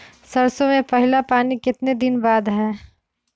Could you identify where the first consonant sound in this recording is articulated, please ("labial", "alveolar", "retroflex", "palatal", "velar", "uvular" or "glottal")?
alveolar